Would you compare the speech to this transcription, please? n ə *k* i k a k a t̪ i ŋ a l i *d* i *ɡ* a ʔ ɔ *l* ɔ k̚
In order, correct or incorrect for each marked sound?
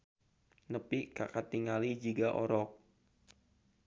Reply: incorrect: p, incorrect: d͡ʒ, correct, incorrect: ɾ

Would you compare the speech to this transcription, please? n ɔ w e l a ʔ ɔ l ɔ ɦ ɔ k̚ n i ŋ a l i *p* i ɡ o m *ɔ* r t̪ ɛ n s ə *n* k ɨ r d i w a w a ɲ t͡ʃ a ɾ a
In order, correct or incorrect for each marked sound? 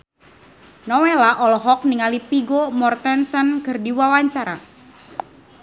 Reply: correct, correct, correct

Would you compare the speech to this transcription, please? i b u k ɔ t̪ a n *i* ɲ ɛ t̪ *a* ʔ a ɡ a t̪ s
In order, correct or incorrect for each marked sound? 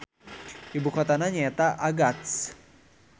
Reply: incorrect: a, correct

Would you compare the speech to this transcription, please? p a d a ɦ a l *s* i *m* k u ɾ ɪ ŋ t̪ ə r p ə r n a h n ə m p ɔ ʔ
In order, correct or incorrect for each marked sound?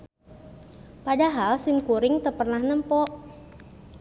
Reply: correct, correct

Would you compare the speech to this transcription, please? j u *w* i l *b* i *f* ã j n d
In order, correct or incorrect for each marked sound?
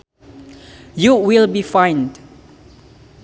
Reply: correct, correct, correct

